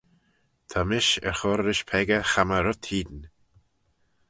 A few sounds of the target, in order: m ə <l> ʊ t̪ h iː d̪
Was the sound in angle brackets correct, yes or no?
no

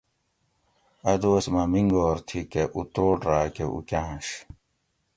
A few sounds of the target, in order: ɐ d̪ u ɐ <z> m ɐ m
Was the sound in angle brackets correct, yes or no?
no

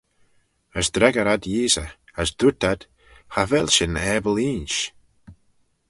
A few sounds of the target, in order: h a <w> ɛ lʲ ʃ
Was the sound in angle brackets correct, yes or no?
no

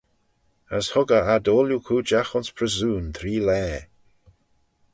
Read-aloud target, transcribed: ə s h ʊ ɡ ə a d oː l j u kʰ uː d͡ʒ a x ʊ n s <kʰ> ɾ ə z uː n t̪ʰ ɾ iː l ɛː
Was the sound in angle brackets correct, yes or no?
no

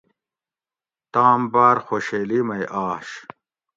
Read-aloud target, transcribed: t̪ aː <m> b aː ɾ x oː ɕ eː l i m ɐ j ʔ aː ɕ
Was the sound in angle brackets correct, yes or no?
yes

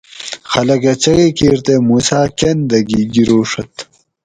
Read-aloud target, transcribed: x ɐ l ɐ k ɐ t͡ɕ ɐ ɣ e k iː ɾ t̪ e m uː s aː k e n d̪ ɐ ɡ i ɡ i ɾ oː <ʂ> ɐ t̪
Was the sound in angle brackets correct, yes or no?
yes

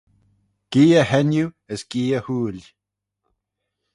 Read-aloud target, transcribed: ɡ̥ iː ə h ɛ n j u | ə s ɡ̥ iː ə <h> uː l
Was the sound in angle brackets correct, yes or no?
yes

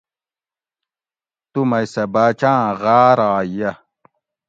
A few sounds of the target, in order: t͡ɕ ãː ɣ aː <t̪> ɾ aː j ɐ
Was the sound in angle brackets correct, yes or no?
no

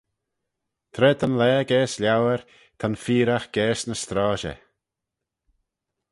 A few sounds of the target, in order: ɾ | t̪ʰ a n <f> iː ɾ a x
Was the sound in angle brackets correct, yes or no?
yes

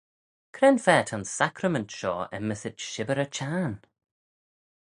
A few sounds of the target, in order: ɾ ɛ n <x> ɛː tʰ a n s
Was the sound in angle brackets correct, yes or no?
no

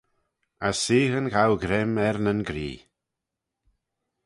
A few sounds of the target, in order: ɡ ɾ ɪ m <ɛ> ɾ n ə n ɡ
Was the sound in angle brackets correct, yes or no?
yes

